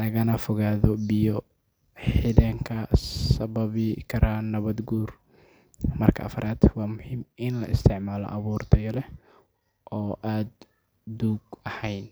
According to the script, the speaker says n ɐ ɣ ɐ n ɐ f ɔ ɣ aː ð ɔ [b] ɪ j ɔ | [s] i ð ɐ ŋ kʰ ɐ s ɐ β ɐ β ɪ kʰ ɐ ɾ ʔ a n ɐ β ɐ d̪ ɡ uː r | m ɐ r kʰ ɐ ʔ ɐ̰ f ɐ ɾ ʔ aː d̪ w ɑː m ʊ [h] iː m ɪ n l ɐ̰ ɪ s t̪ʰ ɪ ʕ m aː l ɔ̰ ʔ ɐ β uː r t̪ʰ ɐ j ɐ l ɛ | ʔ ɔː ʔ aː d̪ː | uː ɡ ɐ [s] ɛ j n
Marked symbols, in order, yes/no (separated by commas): yes, no, yes, no